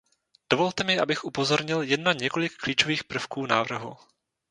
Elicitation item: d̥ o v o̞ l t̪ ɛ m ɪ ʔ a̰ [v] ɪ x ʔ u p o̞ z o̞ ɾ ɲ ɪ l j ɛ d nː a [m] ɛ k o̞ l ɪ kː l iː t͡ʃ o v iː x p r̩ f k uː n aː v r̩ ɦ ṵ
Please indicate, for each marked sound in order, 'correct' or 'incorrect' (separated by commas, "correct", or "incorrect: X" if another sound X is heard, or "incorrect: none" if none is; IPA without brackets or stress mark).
incorrect: b, incorrect: ɲ